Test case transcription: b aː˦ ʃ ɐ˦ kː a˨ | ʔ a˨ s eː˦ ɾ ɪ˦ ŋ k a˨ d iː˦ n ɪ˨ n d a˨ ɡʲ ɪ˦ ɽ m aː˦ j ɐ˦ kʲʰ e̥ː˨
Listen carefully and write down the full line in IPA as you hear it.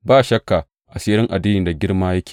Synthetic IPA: b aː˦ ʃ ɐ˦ kː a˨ | ʔ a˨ s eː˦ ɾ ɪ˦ ŋ ʔ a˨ d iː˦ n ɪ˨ n d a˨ ɡʲ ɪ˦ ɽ m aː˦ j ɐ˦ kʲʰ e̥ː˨